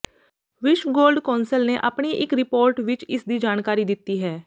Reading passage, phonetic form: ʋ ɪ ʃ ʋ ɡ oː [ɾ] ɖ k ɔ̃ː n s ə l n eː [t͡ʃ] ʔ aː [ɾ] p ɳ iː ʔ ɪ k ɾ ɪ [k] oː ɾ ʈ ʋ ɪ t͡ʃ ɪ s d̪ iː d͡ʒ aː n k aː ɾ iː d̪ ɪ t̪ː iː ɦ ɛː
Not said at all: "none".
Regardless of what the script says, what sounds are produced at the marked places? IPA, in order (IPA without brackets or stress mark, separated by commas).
l, none, none, p